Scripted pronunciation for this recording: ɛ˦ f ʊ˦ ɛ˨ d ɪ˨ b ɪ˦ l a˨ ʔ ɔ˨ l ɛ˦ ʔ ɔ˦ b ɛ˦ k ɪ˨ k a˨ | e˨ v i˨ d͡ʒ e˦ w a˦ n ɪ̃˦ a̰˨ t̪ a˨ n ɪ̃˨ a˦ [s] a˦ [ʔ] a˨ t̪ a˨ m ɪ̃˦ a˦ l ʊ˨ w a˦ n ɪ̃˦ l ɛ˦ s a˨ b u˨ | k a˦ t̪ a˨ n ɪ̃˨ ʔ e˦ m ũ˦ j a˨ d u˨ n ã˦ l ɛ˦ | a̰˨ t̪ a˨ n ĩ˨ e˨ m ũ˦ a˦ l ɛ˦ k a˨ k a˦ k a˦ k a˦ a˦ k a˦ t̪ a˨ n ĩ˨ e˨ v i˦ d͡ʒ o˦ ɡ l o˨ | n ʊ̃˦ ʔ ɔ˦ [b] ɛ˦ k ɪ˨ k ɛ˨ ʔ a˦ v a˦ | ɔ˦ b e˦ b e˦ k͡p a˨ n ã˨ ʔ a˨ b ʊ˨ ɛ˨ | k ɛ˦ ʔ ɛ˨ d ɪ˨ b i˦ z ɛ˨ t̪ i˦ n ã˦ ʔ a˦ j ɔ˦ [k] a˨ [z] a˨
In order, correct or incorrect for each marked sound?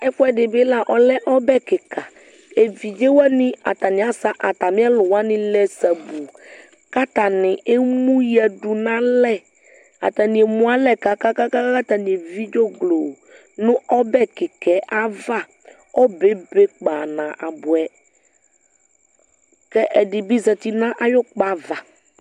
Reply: correct, correct, correct, incorrect: k͡p, incorrect: v

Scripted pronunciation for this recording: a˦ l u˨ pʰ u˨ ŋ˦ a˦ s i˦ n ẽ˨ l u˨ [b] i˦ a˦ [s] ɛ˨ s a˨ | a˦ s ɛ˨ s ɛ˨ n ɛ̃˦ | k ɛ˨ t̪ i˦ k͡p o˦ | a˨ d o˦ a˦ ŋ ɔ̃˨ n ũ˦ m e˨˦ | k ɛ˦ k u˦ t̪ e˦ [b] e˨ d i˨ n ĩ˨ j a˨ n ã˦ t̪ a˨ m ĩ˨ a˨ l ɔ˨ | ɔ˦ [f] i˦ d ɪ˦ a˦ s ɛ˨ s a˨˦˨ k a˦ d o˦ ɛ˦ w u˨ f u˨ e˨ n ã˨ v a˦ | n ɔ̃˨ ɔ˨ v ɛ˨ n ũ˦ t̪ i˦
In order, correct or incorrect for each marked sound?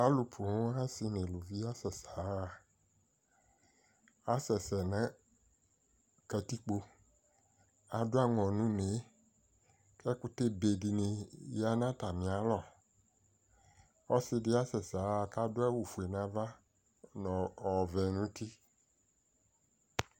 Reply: incorrect: v, correct, correct, incorrect: s

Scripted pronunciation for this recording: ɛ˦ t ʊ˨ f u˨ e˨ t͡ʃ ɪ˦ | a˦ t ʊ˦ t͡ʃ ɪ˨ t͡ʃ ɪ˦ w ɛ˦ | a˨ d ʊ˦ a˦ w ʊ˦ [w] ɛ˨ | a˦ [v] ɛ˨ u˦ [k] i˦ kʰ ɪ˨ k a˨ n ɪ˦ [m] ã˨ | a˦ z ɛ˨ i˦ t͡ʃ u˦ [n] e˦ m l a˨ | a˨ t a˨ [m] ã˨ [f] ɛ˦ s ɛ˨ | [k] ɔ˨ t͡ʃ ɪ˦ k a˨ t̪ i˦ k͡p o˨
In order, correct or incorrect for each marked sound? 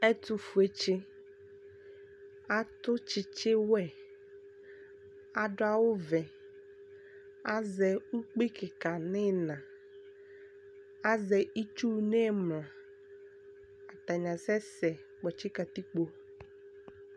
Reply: incorrect: v, incorrect: z, incorrect: k͡p, incorrect: n, correct, incorrect: ɲ, incorrect: s, incorrect: k͡p

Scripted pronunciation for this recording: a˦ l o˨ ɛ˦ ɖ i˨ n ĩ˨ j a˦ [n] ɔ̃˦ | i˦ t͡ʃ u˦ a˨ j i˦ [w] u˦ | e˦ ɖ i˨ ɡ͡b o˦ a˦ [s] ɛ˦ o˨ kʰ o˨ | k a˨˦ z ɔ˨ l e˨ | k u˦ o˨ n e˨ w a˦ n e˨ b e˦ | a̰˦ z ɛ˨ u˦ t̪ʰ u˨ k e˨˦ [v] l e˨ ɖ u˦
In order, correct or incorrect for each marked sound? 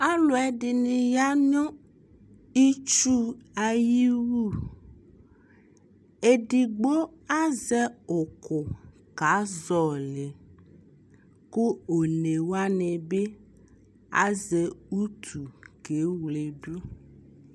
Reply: incorrect: ɲ, correct, incorrect: z, incorrect: w

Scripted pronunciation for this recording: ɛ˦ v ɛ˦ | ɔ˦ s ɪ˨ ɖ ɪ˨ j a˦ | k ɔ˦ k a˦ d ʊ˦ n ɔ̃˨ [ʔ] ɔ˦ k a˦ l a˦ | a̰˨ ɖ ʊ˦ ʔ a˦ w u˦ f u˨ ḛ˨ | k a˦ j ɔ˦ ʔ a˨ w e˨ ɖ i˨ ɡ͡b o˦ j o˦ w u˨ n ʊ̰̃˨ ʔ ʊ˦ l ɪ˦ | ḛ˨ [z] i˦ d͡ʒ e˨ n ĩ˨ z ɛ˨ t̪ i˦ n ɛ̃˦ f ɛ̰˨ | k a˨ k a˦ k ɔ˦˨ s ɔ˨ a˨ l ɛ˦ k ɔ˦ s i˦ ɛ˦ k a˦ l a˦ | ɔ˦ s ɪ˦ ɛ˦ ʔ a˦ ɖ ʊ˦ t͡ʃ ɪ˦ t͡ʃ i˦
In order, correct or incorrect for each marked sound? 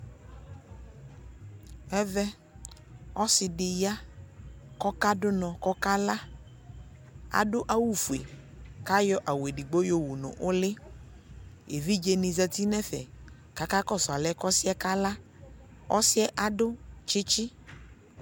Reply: incorrect: k, incorrect: v

